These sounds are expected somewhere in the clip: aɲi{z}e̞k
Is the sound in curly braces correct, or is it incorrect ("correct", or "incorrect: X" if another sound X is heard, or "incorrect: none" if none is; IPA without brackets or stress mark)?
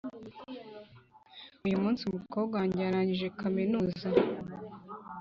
incorrect: ʒ